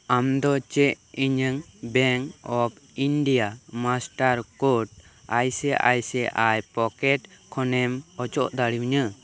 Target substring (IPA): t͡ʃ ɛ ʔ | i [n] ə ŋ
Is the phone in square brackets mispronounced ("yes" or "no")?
yes